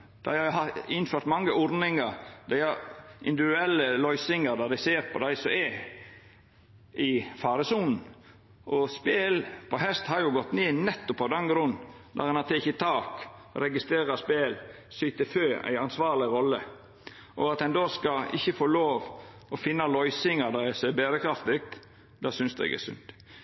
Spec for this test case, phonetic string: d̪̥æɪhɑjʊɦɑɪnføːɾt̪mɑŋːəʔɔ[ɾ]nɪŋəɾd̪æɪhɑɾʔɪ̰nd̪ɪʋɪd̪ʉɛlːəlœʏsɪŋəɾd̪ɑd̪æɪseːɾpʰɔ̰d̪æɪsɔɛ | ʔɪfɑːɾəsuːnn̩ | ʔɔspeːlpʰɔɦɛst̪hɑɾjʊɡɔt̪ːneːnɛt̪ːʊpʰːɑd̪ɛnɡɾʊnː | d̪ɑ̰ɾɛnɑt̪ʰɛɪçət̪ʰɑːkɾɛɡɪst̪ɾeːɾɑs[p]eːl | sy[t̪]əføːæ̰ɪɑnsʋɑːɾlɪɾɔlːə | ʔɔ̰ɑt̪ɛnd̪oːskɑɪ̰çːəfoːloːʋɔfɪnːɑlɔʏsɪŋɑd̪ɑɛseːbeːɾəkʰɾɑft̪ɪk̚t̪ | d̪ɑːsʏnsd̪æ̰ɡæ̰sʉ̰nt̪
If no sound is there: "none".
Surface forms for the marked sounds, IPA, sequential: ɾ, p, t̪

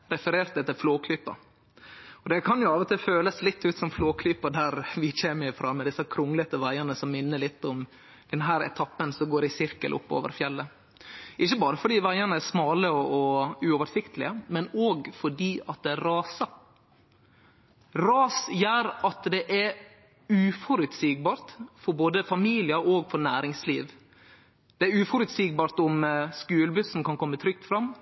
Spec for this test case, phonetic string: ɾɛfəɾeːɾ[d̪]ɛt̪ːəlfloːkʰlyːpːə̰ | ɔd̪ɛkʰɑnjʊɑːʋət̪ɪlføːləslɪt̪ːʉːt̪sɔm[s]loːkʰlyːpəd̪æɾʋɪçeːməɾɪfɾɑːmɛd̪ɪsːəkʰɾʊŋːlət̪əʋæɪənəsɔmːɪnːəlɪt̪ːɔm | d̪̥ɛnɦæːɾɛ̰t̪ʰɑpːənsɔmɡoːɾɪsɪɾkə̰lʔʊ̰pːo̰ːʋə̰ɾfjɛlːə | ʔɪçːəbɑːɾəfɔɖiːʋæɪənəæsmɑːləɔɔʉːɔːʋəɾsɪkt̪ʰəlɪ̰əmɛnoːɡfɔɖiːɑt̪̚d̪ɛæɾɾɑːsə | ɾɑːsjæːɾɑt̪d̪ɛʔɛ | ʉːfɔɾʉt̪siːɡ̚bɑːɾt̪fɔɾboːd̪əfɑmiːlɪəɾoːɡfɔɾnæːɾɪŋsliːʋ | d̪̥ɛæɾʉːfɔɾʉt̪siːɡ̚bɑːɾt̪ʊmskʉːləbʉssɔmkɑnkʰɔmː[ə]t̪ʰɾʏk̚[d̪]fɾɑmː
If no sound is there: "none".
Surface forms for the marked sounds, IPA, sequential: t̪, f, ə, t̪

